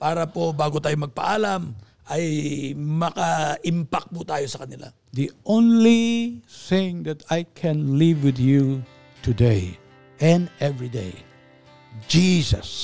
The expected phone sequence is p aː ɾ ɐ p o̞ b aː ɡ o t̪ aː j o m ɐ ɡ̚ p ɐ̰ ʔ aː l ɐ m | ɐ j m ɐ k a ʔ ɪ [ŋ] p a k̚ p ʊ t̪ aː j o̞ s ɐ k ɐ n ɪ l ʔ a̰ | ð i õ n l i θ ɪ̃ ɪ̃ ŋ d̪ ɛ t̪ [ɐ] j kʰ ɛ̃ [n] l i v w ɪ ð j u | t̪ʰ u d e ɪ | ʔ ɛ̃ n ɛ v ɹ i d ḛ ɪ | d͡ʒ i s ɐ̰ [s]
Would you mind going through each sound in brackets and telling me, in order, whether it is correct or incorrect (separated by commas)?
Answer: incorrect, incorrect, correct, correct